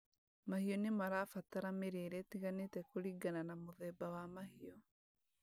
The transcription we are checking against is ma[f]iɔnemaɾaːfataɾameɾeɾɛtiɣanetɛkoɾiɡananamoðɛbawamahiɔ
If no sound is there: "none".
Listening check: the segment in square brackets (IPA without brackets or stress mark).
h